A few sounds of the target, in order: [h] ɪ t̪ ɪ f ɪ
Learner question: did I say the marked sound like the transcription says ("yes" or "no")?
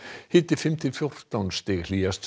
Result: yes